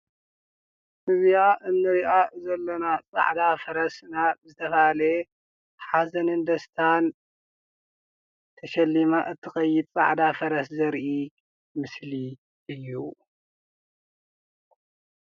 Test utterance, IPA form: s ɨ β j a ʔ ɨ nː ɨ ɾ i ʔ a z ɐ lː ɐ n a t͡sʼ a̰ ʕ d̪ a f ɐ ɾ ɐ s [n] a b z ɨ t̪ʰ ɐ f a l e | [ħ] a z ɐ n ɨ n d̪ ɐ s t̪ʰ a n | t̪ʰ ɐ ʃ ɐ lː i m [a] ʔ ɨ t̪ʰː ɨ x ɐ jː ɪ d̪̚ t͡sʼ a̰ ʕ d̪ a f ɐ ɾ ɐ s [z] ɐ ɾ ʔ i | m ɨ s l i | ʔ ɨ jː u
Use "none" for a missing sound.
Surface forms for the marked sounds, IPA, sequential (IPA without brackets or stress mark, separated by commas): n, ħ, a, z